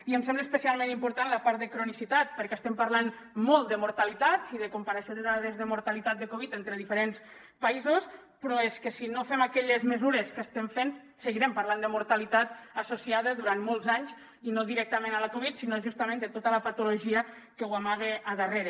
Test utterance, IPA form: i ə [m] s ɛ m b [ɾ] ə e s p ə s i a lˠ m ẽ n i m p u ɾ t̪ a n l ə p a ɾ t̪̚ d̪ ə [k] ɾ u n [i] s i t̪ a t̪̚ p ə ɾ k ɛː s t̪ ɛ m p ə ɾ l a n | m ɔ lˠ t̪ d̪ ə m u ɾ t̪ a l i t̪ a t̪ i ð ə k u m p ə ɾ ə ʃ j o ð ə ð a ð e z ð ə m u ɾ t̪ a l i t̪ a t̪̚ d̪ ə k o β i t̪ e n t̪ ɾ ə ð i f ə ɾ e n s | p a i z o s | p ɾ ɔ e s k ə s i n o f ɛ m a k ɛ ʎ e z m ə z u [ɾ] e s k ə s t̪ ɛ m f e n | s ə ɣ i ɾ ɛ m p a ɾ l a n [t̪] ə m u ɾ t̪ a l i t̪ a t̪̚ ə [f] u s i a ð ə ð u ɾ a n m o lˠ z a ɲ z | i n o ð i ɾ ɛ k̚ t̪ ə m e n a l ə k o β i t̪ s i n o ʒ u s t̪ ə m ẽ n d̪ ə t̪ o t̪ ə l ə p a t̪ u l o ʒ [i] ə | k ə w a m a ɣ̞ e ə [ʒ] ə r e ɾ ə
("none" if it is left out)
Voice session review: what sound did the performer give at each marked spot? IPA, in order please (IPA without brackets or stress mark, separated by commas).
m, l, k, i, ɾ, d̪, s, i, ð